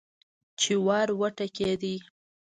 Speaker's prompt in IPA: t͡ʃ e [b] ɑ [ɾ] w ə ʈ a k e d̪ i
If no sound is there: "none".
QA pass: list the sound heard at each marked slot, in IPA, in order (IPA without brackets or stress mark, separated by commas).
w, ɾ